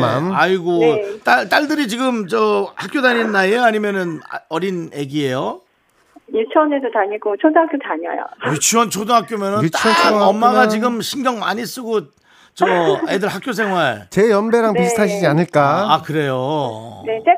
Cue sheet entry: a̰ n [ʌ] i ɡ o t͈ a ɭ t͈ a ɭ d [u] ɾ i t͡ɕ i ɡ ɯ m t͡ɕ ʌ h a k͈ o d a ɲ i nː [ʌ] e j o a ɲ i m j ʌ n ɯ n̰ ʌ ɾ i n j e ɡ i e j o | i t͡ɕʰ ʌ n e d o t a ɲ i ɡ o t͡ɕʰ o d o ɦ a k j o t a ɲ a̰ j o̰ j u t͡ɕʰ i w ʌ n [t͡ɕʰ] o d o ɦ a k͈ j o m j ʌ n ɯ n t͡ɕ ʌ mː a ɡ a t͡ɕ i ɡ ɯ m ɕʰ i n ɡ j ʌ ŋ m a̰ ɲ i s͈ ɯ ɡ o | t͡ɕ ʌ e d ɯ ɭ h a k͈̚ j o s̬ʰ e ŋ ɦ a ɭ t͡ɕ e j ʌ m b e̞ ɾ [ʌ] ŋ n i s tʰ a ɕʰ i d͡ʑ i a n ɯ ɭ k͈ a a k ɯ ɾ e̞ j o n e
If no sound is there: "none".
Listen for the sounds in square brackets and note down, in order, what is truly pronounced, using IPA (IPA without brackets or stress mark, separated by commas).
a, ɯ, a, t͡ɕʰ, a